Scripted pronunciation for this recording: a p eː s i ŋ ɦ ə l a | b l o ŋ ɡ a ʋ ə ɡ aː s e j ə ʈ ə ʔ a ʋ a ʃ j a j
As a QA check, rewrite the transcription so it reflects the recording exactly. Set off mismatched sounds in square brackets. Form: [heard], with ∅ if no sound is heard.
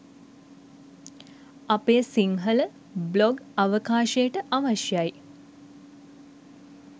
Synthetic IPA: a p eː s i ŋ ɦ ə l [ə] | b l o [∅] ɡ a ʋ ə [k] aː [ʃ] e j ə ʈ ə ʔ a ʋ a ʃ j a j